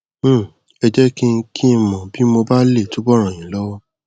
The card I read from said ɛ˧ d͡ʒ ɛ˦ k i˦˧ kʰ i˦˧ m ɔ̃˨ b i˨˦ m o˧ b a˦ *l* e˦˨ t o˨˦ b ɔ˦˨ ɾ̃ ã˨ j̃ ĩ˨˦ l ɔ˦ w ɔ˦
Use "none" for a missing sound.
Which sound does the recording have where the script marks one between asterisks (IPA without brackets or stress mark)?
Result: l